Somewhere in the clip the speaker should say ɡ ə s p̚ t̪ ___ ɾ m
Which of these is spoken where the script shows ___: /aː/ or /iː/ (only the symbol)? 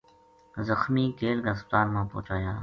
aː